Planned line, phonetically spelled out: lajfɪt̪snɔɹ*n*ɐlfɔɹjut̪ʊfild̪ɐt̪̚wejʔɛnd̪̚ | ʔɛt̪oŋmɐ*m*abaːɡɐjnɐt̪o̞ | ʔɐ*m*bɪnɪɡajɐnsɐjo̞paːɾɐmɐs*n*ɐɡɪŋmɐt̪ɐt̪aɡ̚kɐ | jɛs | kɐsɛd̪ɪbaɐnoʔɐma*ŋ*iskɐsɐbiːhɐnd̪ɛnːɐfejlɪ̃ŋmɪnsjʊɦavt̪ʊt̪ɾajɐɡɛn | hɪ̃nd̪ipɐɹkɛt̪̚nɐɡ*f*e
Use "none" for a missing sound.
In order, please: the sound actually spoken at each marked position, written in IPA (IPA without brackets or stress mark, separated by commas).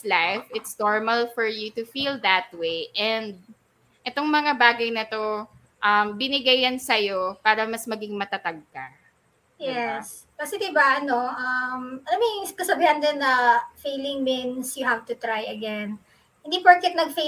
m, ŋ, m, m, m, f